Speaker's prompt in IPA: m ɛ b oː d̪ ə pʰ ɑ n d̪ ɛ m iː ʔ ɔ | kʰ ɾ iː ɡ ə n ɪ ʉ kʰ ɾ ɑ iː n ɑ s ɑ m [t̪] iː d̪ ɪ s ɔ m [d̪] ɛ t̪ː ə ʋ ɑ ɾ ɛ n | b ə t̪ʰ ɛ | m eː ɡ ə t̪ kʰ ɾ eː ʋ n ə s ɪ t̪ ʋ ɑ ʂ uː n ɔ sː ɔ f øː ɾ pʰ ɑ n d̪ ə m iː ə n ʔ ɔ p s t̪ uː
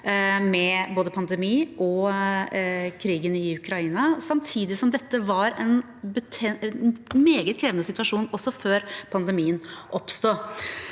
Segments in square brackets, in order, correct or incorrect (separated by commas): incorrect, correct